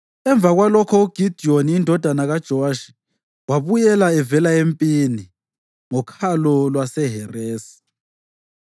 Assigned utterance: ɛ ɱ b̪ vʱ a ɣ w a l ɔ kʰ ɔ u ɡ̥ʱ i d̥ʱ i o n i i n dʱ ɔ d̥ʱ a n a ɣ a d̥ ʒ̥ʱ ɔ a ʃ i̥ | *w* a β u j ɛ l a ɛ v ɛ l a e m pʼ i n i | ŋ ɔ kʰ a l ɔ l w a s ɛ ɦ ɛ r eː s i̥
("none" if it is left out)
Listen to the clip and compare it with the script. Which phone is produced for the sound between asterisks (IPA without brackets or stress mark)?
w